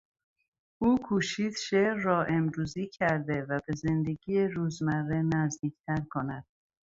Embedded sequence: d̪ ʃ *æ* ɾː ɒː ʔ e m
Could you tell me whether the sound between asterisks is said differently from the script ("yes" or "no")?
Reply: yes